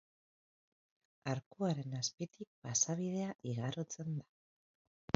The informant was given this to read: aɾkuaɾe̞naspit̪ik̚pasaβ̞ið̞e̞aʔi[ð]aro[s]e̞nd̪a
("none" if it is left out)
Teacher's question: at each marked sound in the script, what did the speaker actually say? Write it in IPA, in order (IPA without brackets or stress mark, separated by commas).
ɣ, t͡s